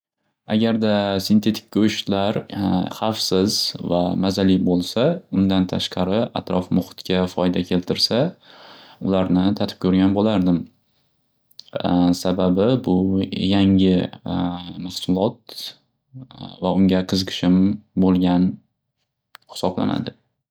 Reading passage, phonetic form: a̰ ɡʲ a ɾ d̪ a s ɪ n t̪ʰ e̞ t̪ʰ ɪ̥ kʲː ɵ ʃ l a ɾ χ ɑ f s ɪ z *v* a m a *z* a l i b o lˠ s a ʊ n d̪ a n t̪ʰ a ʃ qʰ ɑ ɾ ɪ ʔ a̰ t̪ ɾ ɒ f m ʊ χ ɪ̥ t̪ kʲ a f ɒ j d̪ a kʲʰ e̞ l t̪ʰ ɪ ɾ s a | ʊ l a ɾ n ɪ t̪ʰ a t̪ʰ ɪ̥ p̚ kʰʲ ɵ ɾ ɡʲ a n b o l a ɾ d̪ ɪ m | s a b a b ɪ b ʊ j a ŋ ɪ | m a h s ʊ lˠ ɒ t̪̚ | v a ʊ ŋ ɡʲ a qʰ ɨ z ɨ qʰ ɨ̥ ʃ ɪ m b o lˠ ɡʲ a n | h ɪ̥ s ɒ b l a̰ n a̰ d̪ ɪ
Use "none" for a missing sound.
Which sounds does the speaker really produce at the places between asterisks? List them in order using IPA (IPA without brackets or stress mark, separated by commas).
v, z